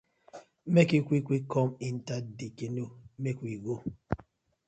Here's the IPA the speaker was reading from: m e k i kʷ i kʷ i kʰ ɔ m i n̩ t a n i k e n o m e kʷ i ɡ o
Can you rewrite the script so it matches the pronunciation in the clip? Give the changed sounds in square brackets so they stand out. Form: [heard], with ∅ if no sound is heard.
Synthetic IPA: m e k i kʷ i kʷ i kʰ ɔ m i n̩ t a [d] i k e n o m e kʷ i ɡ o